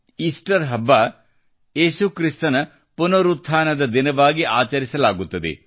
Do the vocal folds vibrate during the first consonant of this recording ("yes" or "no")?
no